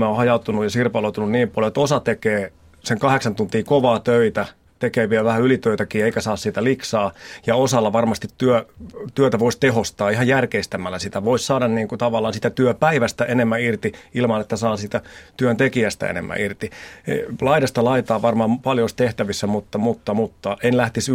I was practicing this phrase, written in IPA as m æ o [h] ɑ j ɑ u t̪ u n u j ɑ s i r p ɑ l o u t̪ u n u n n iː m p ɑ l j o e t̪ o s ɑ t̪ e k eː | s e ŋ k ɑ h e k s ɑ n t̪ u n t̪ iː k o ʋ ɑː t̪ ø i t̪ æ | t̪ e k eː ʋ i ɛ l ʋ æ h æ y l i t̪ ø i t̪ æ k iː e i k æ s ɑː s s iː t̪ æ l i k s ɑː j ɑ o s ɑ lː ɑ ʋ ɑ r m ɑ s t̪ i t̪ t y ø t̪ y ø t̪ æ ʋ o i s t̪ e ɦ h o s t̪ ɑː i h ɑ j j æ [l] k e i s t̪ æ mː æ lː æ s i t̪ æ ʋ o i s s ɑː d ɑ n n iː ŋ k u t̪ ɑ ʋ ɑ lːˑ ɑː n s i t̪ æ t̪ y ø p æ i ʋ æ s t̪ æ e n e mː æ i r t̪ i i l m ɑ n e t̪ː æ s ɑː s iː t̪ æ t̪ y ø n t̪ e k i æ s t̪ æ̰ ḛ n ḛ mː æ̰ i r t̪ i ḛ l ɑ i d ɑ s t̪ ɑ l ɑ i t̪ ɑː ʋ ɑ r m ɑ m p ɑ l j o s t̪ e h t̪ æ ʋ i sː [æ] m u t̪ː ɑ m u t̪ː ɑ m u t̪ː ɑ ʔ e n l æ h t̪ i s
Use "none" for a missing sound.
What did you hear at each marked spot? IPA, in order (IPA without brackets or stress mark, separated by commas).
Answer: h, r, æ